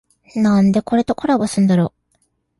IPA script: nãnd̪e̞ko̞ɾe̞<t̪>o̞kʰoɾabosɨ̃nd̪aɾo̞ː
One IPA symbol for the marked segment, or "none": t̪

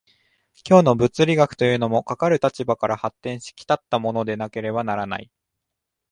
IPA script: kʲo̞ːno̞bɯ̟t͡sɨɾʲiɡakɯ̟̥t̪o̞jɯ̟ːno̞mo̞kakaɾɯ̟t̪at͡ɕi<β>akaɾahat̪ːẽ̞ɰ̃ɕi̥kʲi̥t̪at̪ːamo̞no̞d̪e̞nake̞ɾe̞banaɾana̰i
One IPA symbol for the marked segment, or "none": b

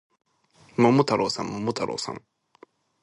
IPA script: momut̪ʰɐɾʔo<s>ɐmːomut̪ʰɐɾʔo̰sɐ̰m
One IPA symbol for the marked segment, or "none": s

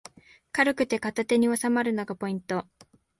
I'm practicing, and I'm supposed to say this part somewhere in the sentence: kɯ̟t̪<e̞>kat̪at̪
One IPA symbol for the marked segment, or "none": e̞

